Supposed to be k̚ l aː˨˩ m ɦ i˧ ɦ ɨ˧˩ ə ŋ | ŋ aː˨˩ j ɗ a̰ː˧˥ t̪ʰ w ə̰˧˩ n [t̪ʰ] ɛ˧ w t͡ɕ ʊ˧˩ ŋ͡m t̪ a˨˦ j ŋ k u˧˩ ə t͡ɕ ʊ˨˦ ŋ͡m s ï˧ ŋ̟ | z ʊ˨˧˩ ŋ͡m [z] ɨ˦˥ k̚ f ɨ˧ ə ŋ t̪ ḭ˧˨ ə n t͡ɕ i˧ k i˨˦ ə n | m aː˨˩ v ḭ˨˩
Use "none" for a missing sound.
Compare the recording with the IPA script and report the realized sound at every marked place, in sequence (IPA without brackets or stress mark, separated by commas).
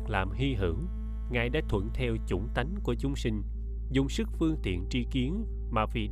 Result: t̪ʰ, s